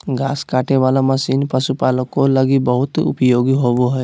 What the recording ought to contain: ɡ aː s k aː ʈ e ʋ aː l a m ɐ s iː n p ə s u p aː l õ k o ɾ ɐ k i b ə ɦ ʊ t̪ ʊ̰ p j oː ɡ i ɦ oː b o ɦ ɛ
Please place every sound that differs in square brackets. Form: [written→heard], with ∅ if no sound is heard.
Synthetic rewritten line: ɡ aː s k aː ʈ e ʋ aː l a m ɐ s iː n p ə s u p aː l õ k o [ɾ→l] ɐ [k→ɡ] i b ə ɦ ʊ t̪ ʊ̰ p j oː ɡ i ɦ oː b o ɦ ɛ